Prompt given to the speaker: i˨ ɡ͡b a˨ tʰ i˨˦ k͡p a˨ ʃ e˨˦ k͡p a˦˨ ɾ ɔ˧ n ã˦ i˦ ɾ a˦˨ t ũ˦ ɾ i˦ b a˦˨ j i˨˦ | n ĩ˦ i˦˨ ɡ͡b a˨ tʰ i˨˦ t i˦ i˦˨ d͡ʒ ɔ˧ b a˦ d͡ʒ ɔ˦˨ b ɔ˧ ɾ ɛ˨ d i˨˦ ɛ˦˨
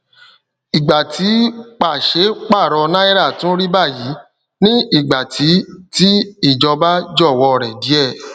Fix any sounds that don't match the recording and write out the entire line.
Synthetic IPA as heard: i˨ ɡ͡b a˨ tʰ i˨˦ k͡p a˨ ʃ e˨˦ k͡p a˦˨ ɾ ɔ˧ n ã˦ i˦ ɾ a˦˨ t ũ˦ ɾ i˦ b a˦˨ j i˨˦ | n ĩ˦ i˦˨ ɡ͡b a˨ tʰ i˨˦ t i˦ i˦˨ d͡ʒ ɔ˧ b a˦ d͡ʒ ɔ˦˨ w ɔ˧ ɾ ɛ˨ d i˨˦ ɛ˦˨